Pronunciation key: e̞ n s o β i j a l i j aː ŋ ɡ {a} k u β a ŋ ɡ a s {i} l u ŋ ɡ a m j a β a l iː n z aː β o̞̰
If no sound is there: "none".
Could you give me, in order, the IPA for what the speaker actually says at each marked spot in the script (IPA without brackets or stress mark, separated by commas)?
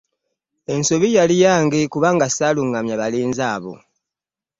e, a